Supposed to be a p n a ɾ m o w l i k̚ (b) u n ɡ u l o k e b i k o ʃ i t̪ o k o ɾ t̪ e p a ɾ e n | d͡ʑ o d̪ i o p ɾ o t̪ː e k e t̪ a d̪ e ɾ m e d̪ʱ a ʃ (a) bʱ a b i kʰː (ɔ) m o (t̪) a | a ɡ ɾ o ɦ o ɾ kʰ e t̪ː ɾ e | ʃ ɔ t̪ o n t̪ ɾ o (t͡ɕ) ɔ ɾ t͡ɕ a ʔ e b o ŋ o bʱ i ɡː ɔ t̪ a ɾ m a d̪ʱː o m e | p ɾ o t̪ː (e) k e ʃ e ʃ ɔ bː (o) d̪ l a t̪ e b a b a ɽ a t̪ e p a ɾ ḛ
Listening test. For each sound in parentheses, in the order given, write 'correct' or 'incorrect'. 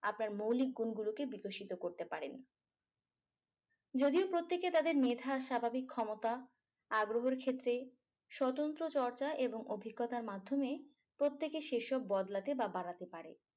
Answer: incorrect, correct, correct, correct, correct, correct, incorrect

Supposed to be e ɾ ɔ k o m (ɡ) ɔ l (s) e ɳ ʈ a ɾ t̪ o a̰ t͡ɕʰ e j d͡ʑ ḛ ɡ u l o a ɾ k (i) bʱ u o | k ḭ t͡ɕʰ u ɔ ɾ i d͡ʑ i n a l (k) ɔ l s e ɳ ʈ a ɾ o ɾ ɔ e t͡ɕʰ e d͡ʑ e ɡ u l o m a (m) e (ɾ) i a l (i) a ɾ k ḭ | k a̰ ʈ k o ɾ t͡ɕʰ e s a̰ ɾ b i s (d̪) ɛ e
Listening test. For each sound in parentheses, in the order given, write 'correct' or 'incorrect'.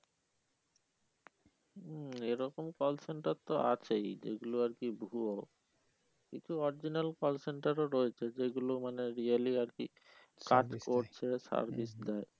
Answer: incorrect, correct, correct, correct, incorrect, correct, correct, correct

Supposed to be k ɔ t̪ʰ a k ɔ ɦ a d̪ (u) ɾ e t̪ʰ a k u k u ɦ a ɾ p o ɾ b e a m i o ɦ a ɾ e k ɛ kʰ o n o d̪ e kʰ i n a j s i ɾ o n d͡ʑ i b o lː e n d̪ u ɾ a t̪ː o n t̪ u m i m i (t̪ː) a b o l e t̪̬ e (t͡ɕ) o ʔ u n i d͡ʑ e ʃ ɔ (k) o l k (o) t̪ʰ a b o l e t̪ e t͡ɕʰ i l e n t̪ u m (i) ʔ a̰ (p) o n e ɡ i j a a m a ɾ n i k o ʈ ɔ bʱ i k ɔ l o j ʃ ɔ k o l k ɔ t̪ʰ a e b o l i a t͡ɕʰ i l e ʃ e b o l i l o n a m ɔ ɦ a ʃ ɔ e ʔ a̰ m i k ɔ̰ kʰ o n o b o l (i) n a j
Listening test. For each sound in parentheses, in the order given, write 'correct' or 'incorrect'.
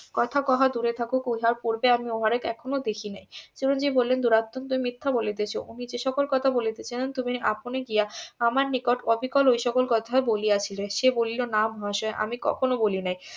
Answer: correct, incorrect, incorrect, correct, incorrect, correct, correct, correct

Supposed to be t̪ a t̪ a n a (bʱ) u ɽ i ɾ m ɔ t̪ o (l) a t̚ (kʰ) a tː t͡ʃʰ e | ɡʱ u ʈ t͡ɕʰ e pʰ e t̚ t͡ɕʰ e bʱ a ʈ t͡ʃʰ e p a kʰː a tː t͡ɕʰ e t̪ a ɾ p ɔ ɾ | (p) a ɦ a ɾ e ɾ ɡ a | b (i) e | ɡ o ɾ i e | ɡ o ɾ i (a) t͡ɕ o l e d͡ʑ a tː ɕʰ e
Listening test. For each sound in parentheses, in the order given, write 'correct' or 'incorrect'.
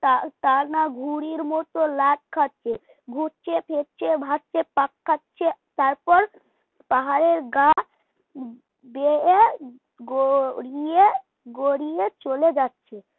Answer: incorrect, correct, correct, correct, incorrect, incorrect

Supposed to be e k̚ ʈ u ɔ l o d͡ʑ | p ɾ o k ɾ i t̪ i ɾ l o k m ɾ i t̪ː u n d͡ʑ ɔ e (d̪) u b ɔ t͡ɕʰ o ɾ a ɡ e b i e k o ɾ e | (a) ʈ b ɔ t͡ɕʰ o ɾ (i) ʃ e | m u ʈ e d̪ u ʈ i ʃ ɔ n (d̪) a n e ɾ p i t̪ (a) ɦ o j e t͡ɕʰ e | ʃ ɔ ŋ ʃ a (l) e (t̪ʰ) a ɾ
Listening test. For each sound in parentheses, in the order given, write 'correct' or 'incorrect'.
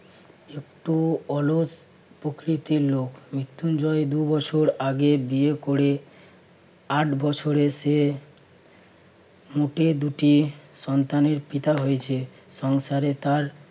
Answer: correct, correct, incorrect, incorrect, correct, incorrect, incorrect

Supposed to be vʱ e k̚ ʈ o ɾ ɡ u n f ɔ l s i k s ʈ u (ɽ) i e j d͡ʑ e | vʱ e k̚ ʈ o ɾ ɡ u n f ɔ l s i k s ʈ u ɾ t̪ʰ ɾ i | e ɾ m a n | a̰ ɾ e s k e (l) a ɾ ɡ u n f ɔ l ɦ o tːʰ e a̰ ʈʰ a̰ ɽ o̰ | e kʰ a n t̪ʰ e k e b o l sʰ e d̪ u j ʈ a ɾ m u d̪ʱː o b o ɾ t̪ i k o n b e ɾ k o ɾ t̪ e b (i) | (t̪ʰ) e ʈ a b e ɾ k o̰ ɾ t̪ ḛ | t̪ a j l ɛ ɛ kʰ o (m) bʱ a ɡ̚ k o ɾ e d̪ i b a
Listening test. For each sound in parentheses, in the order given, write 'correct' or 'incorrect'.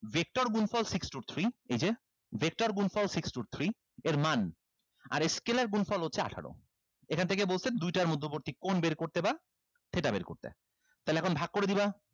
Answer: incorrect, correct, incorrect, correct, incorrect

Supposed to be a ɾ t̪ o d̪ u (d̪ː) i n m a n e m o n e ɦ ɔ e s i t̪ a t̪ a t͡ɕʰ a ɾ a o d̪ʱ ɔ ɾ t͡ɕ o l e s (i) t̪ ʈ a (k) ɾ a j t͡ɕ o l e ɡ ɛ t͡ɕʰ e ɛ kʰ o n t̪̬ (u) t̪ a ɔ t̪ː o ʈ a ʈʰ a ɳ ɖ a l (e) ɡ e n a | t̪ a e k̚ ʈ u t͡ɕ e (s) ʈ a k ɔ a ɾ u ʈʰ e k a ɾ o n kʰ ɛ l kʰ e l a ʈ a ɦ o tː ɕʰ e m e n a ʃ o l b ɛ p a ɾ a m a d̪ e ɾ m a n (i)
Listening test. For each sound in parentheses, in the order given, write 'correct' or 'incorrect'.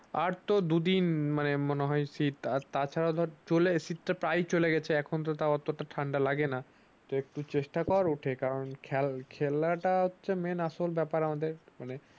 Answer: incorrect, correct, incorrect, incorrect, incorrect, incorrect, incorrect

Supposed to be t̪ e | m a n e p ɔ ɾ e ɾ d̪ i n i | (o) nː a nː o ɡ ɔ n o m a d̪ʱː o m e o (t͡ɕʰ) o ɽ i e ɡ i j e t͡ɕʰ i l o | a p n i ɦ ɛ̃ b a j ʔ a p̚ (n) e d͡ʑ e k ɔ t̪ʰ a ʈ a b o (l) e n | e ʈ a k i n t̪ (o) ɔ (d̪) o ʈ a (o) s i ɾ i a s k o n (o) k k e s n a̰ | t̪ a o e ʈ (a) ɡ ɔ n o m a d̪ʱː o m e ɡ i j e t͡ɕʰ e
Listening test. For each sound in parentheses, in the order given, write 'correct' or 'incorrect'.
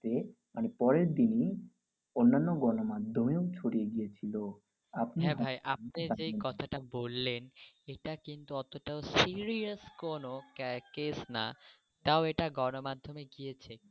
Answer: correct, correct, correct, incorrect, incorrect, incorrect, correct, correct, correct

